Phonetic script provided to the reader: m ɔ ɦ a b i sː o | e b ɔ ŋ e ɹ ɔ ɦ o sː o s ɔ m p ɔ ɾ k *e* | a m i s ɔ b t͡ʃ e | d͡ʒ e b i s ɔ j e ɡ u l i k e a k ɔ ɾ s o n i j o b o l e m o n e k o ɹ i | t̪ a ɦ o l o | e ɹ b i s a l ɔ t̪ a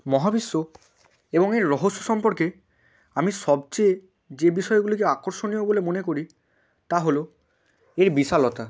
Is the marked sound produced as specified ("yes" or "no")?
yes